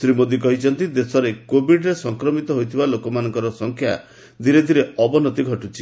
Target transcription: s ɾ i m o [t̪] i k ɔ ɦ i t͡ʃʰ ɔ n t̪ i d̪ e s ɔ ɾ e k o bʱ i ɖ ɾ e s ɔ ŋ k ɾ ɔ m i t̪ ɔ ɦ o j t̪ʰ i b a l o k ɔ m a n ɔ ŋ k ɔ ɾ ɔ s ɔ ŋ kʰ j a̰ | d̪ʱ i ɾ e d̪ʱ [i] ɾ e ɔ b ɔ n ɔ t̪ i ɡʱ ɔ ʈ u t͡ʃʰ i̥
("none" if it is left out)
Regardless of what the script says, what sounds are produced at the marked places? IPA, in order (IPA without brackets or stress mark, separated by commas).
d̪, i